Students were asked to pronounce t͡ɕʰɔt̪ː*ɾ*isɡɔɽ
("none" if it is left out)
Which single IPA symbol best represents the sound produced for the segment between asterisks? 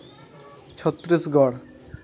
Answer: ɾ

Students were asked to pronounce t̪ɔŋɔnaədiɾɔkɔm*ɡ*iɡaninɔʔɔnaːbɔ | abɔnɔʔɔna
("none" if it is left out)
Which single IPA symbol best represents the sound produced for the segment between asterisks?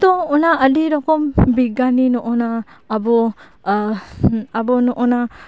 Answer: b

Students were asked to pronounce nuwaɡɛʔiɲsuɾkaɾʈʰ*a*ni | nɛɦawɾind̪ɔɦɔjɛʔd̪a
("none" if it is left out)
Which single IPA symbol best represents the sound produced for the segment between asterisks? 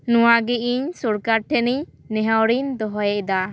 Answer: ɛ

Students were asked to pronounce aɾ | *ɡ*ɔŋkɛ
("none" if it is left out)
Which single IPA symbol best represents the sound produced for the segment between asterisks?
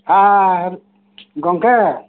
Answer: ɡ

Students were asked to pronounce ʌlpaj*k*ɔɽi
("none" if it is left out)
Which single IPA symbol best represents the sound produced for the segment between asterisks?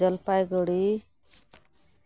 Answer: ɡ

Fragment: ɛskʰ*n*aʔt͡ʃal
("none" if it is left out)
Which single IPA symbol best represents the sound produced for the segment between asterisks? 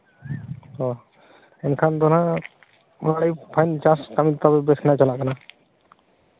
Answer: n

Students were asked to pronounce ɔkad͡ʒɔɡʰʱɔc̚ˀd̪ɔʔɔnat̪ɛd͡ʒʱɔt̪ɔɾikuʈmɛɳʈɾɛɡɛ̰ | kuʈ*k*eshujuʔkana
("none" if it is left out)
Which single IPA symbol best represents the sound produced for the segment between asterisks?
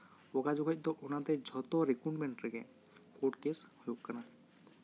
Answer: k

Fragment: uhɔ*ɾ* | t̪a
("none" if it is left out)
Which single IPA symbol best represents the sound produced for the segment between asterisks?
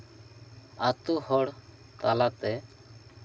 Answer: ɽ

